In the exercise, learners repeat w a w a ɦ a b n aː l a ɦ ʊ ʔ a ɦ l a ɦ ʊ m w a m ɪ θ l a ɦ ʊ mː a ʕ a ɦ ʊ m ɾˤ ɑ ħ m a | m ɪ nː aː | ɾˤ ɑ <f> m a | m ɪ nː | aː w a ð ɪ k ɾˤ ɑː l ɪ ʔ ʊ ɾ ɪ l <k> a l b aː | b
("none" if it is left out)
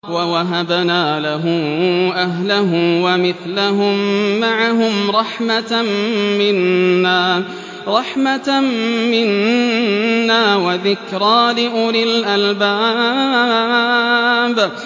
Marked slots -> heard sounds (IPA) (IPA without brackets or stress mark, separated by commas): ħ, ʔ